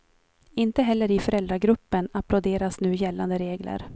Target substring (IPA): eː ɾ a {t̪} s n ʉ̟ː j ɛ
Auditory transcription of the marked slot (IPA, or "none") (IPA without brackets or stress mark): none